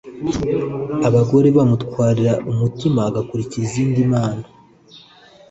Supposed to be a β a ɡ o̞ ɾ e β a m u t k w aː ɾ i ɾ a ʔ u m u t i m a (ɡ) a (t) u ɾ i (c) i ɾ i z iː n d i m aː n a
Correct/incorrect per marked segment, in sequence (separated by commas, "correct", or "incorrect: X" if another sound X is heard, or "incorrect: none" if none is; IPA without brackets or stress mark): correct, incorrect: k, correct